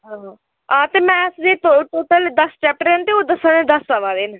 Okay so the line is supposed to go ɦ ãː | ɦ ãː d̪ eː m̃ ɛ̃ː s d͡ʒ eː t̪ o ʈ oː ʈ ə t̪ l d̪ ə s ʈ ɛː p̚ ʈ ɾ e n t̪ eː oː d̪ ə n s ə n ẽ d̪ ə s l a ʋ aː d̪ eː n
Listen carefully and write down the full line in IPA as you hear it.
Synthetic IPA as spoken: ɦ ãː | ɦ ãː t̪ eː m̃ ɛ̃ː s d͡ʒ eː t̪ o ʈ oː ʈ ə l d̪ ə s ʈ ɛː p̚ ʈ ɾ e n t̪ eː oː d̪ ə s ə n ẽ d̪ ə s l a ʋ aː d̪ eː n